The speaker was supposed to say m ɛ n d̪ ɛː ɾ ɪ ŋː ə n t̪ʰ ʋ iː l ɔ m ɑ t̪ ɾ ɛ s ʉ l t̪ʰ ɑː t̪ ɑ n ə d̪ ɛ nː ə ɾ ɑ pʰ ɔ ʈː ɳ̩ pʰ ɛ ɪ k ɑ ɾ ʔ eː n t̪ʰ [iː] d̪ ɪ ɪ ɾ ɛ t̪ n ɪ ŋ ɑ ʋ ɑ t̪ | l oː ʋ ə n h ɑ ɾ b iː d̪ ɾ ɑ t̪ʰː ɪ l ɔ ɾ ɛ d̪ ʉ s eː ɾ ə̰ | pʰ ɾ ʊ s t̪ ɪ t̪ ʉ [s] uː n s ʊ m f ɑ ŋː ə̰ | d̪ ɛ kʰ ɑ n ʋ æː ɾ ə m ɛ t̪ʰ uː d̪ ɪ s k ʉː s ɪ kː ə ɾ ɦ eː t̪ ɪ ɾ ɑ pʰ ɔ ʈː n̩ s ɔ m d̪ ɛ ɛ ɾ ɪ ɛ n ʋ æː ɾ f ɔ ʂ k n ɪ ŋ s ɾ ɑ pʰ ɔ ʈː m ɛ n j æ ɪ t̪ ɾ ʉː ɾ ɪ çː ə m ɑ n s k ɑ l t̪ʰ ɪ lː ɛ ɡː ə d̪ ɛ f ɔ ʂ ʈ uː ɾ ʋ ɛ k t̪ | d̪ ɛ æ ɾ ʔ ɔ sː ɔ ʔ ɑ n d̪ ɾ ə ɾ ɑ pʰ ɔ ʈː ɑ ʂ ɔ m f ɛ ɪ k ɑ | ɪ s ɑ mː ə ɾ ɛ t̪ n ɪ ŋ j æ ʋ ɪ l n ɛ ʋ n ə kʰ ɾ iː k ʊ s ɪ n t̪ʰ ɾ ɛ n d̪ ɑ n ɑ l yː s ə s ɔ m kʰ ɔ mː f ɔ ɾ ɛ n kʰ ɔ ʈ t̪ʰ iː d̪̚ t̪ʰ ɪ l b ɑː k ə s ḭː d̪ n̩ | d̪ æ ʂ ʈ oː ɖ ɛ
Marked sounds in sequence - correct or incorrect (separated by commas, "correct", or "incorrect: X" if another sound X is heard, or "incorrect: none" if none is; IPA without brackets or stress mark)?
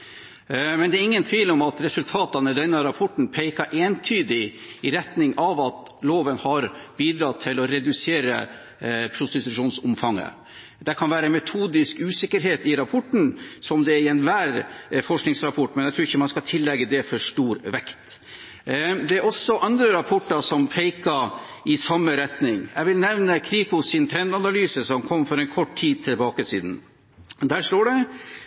incorrect: yː, incorrect: ʂ